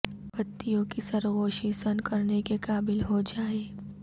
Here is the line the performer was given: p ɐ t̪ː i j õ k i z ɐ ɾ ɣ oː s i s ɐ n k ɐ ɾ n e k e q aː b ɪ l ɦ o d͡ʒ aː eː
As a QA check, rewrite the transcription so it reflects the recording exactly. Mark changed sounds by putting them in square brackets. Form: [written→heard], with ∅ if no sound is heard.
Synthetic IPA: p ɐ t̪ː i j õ k i [z→s] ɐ ɾ ɣ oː [s→ʃ] i s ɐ n k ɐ ɾ n e k e [q→k] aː b ɪ l ɦ o d͡ʒ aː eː

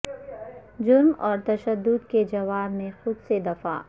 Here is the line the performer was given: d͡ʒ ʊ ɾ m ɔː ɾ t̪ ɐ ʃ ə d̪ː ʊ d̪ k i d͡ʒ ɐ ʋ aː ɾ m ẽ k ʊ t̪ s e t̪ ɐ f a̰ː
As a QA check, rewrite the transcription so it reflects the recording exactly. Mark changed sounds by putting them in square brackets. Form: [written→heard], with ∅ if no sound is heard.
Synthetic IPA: d͡ʒ ʊ ɾ m ɔː ɾ t̪ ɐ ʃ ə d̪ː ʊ d̪ k [i→e] d͡ʒ ɐ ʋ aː ɾ m ẽ [k→x] ʊ [t̪→d̪] s e [t̪→d̪] ɐ f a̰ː

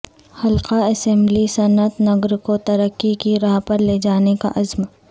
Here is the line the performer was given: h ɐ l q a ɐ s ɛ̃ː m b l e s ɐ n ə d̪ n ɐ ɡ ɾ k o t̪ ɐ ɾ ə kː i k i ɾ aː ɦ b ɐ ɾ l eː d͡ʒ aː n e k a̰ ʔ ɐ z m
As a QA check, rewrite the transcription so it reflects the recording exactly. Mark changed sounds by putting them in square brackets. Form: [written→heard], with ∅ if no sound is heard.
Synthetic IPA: h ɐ l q a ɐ s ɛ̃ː m b l [e→i] s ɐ n ə [d̪→t̪] n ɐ ɡ ɾ k o t̪ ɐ ɾ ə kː i k i ɾ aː ɦ [b→p] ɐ ɾ l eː d͡ʒ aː n e k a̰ ʔ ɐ z m

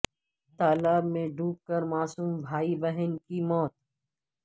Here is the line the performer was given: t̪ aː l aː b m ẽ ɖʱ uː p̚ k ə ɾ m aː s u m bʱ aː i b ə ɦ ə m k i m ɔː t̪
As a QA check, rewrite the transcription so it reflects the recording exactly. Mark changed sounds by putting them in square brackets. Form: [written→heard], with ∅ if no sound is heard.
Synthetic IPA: t̪ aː l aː b m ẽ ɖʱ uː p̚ k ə ɾ m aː s [u→uː] m bʱ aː i b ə ɦ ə [m→n] k i m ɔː t̪

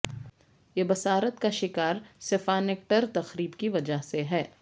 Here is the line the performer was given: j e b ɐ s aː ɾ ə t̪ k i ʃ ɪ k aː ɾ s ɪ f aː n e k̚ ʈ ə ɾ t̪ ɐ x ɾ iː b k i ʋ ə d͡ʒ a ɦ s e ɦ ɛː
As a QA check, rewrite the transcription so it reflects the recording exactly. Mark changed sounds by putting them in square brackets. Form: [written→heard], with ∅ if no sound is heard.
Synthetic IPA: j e b ɐ s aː ɾ ə t̪ k [i→a] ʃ ɪ k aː ɾ s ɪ f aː n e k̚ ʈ ə ɾ t̪ ɐ x ɾ iː b k i ʋ [ə→ɐ] d͡ʒ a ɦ s e ɦ ɛː

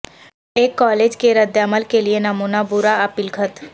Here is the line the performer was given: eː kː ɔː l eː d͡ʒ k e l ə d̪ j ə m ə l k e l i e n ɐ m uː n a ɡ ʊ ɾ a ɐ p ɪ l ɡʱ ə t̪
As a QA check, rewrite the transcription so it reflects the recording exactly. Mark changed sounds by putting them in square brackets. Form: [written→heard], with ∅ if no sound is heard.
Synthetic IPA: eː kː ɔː l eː d͡ʒ k e [l→ɾ] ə d̪ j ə m ə l k e l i e n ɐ m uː n a [ɡ→b] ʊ ɾ a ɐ p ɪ l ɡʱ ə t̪

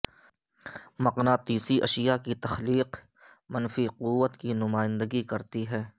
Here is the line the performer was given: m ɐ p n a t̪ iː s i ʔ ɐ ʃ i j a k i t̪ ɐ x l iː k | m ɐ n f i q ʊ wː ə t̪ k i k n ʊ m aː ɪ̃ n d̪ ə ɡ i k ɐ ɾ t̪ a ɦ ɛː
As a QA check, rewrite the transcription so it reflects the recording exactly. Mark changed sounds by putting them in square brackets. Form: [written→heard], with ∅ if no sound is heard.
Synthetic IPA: m ɐ [p→q] n a t̪ iː s i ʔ ɐ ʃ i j a k i t̪ ɐ x l iː [k→q] | m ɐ n f i q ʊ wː ə t̪ k i [k→∅] n ʊ m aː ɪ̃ n d̪ ə ɡ i k ɐ ɾ t̪ [a→i] ɦ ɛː

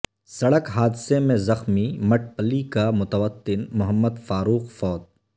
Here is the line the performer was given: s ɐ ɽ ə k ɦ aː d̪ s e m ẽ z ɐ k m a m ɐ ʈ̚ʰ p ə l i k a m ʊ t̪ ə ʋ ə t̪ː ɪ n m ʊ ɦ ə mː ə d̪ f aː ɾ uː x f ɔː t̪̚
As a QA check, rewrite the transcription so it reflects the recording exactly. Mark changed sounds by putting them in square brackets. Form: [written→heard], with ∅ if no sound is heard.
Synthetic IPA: s ɐ ɽ ə k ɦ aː d̪ s e m ẽ z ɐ [k→x] m [a→i] m ɐ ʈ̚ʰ p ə l i k a m ʊ t̪ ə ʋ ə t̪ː ɪ n m ʊ ɦ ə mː ə d̪ f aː ɾ uː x f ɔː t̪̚

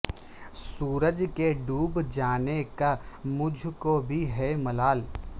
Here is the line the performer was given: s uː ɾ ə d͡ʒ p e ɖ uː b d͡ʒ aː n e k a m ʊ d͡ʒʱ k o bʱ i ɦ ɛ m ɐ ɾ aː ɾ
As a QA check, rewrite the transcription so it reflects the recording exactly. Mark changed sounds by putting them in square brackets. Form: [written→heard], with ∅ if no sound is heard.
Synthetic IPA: s uː ɾ ə d͡ʒ [p→k] e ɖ uː b d͡ʒ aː n e k a m ʊ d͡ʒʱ k o bʱ i ɦ ɛ m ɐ [ɾ→l] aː [ɾ→l]

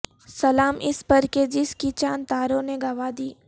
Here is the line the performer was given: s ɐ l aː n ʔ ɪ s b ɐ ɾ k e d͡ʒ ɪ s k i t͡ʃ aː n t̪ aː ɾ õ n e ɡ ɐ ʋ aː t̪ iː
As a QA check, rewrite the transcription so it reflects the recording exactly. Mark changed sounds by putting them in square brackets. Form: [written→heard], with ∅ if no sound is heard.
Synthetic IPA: s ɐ l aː [n→m] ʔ ɪ s [b→p] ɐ ɾ k e d͡ʒ ɪ s k i t͡ʃ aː n t̪ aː ɾ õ n e ɡ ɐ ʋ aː [t̪→d̪] iː

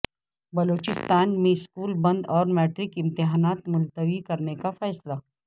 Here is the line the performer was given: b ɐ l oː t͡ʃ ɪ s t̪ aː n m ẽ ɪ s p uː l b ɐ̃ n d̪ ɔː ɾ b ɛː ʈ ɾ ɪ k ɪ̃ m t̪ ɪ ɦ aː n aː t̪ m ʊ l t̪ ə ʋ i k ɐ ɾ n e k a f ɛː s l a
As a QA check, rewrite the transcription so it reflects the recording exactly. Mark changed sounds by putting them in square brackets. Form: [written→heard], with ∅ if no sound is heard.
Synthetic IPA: b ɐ l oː t͡ʃ ɪ s t̪ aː n m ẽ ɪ s [p→k] uː l b ɐ̃ n d̪ ɔː ɾ [b→m] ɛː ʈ ɾ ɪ k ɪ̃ m t̪ ɪ ɦ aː n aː t̪ m ʊ l t̪ ə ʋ i k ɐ ɾ n e k a f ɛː s l a

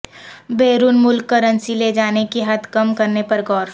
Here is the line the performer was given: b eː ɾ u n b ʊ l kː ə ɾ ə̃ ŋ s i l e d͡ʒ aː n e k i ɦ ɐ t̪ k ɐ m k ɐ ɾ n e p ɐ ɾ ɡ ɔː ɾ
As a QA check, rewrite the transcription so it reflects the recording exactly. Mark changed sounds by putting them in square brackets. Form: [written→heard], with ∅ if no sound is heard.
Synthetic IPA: b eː ɾ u n [b→m] ʊ l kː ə ɾ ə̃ [ŋ→n] s i l e d͡ʒ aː n e k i ɦ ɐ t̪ k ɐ m k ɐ ɾ n e p ɐ ɾ ɡ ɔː ɾ

